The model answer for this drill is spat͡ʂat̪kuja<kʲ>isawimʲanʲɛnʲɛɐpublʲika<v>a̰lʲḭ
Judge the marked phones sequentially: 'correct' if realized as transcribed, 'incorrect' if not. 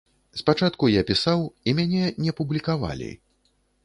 incorrect: pʲ, correct

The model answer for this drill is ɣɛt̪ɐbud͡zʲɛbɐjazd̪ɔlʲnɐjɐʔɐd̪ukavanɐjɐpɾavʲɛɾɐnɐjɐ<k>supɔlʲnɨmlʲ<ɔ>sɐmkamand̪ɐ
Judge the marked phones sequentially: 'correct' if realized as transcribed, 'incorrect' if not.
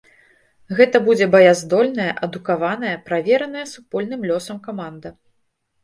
incorrect: none, correct

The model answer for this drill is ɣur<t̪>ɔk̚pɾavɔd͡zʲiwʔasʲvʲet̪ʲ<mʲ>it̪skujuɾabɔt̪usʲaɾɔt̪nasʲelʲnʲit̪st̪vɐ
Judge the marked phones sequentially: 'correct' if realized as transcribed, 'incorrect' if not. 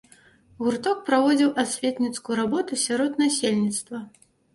correct, incorrect: nʲ

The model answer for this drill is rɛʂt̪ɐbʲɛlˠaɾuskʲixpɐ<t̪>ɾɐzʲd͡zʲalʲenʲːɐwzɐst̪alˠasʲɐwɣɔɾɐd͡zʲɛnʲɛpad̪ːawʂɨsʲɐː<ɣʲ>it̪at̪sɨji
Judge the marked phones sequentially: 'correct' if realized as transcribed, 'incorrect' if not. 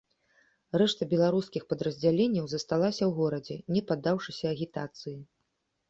incorrect: d̪, correct

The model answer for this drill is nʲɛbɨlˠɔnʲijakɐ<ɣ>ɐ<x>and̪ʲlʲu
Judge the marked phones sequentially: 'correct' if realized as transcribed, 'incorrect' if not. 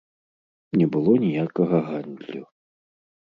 correct, incorrect: ɣ

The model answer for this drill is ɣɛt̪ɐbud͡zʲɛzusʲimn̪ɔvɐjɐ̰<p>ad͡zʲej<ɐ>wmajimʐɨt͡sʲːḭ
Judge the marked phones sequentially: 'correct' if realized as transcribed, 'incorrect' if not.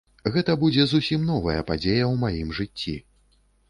correct, correct

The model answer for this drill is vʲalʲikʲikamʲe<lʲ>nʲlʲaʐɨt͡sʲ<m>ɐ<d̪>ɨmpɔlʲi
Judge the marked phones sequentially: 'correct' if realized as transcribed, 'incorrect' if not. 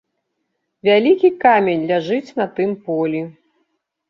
incorrect: none, incorrect: n, incorrect: t̪

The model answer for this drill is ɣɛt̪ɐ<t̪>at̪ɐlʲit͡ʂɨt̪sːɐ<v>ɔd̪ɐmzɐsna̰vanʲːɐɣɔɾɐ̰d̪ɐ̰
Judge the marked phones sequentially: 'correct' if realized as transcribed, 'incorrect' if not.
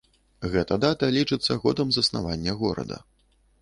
incorrect: d̪, incorrect: ɣ

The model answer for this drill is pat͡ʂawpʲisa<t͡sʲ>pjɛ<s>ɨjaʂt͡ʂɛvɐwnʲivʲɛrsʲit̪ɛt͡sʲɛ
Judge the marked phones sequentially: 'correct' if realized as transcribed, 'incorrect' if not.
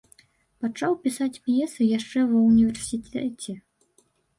correct, correct

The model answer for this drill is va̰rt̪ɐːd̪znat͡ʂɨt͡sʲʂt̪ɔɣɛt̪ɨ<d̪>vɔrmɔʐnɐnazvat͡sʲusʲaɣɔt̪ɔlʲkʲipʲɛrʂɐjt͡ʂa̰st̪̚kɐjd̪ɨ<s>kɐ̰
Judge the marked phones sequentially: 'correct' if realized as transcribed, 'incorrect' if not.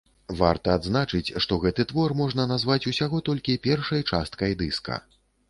incorrect: t̪, correct

